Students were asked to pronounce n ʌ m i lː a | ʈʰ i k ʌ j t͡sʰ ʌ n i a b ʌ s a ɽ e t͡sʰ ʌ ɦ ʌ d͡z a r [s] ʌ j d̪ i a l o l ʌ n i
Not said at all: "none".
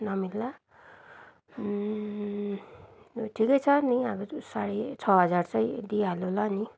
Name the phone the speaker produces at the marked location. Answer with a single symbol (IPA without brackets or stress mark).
t͡s